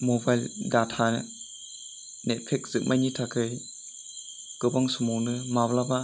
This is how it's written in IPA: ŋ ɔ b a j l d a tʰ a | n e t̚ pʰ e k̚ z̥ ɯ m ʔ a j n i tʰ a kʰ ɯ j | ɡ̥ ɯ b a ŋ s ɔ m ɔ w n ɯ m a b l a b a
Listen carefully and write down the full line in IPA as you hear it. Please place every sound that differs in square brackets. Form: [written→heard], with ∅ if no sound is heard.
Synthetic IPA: [ŋ→m] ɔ b a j l d a tʰ a | n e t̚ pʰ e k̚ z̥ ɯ m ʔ a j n i tʰ a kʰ ɯ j | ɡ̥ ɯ b a ŋ s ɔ m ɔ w n ɯ m a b l a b a